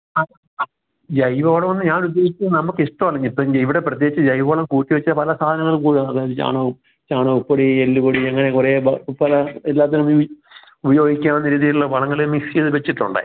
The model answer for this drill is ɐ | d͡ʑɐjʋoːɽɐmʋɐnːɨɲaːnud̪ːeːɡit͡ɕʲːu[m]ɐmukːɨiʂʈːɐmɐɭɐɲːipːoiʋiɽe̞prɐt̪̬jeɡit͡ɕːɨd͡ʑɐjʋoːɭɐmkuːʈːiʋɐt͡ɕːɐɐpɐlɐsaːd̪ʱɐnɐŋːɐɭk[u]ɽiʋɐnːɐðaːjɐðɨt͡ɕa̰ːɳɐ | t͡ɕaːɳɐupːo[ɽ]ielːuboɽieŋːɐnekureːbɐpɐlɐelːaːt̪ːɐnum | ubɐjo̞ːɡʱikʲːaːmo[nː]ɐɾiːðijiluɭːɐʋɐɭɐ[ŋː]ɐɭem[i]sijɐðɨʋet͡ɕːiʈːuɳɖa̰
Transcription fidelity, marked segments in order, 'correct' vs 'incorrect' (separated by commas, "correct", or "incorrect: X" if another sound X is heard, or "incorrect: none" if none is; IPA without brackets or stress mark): incorrect: n, incorrect: uː, correct, correct, correct, correct